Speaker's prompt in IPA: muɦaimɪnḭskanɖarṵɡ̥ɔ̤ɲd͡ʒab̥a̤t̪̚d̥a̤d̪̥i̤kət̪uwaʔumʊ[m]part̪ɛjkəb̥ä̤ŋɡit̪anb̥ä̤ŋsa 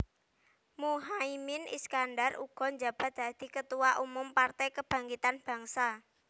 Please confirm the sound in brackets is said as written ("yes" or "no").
yes